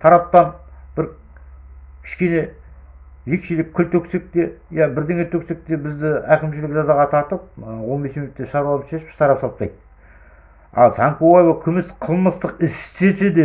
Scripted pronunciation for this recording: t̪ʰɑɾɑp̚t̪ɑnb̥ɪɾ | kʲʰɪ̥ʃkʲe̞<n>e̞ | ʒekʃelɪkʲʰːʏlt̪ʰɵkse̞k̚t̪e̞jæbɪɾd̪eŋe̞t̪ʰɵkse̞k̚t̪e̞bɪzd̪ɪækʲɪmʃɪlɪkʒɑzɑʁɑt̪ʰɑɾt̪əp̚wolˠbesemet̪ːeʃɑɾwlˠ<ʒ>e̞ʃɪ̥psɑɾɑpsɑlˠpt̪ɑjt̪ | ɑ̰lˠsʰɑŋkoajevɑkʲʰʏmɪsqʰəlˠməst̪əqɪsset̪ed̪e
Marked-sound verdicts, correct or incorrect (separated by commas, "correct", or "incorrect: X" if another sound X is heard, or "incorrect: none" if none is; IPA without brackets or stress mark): correct, incorrect: ʃ